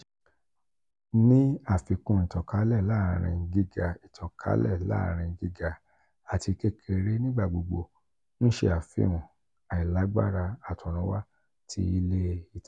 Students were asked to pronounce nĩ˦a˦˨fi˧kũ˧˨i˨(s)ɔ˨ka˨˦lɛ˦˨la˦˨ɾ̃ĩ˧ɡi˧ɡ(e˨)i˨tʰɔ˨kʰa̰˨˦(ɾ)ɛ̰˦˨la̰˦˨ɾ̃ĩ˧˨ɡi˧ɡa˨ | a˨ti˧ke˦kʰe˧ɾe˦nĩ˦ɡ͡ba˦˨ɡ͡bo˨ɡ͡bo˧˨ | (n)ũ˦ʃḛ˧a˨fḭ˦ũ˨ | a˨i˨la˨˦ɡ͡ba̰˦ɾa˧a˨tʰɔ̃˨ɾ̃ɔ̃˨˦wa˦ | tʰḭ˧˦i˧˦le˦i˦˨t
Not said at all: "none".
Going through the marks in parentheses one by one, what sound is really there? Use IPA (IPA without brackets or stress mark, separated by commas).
t, a˨, l, n